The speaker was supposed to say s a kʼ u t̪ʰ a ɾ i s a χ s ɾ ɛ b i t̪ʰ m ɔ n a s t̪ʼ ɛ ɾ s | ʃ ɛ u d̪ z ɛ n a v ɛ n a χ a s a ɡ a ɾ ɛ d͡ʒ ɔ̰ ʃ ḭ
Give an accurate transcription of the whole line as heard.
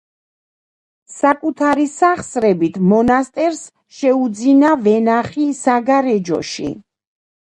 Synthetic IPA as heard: s a kʼ u t̪ʰ a ɾ i s a χ s ɾ ɛ b i t̪ʰ m ɔ n a s t̪ʼ ɛ ɾ s | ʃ ɛ u d̪ z i n a v ɛ n a χ i s a ɡ a ɾ ɛ d͡ʒ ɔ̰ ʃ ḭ